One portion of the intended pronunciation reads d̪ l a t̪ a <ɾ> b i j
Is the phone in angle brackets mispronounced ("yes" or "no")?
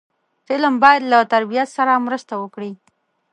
no